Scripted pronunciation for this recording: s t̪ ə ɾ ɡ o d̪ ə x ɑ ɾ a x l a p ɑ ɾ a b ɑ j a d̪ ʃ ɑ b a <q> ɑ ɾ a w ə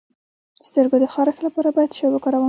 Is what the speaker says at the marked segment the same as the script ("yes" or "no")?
no